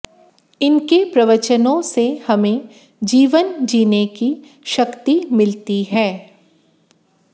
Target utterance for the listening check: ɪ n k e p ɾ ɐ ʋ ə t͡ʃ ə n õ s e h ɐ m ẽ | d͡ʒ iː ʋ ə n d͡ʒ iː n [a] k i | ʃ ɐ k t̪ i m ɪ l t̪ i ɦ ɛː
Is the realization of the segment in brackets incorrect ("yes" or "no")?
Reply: yes